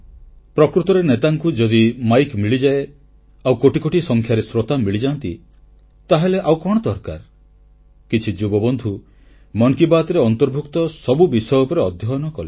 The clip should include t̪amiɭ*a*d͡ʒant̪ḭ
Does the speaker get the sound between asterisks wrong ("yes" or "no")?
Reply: yes